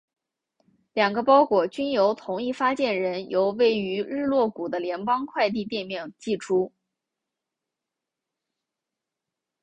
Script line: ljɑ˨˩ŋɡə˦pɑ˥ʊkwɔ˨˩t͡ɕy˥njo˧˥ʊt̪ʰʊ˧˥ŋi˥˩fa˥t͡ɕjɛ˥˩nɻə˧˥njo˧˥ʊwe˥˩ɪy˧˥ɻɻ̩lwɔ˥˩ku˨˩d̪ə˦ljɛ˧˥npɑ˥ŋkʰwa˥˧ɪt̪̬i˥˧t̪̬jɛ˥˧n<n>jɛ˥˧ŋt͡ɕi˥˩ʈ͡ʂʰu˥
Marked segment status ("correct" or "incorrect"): incorrect